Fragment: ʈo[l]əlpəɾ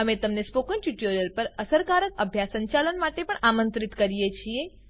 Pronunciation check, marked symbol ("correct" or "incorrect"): incorrect